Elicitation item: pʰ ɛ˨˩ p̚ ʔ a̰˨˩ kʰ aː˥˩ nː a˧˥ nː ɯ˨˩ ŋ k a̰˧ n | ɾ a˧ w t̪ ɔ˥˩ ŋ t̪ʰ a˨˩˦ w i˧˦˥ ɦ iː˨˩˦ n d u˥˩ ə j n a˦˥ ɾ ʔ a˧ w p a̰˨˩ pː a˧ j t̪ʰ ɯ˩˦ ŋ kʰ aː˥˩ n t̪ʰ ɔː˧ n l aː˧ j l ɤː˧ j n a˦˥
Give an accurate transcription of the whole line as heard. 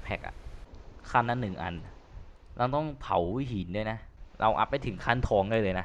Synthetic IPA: pʰ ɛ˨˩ k̚ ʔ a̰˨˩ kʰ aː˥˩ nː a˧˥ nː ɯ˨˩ ŋ ʔ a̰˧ n | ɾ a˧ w t̪ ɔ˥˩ ŋ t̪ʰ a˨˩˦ w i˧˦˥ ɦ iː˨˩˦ n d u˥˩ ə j n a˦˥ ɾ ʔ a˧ w ʔ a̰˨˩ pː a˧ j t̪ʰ ɯ˩˦ ŋ kʰ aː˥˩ n t̪ʰ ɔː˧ ŋ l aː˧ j l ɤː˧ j n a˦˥